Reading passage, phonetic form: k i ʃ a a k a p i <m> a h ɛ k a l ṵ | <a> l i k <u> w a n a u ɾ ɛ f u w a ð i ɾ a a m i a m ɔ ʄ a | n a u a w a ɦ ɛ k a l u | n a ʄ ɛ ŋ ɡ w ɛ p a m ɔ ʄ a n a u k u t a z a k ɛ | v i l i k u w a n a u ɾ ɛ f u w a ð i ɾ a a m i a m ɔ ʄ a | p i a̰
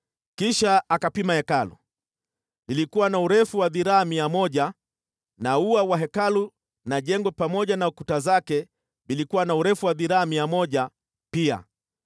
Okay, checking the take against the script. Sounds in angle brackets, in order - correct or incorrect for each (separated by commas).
correct, incorrect, correct